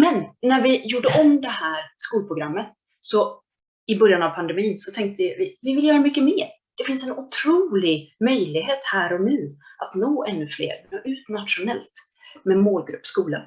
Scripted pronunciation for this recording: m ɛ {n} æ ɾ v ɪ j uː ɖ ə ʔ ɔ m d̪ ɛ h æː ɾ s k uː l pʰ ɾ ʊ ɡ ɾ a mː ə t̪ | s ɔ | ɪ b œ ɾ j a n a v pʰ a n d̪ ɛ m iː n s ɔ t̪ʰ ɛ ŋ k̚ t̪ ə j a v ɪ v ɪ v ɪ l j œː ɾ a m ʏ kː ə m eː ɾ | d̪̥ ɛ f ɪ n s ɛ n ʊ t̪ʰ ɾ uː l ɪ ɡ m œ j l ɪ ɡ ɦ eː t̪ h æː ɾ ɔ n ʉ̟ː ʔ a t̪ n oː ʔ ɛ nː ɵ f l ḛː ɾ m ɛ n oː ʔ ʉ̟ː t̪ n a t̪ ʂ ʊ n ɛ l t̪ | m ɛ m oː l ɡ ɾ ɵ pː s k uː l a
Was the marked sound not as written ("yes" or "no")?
yes